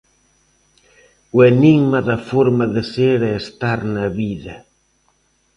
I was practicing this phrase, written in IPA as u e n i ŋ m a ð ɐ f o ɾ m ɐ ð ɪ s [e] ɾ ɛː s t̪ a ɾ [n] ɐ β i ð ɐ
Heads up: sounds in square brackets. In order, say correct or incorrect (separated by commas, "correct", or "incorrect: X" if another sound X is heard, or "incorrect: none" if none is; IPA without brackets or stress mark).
correct, correct